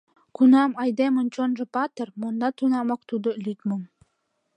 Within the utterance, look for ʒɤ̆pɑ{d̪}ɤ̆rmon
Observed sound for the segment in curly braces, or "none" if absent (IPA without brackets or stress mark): t̪